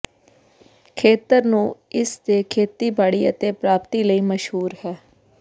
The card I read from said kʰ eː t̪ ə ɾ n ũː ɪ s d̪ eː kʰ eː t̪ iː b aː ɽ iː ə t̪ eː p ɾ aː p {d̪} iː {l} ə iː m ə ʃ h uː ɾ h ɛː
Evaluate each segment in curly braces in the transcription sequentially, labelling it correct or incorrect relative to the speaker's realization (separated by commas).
incorrect, correct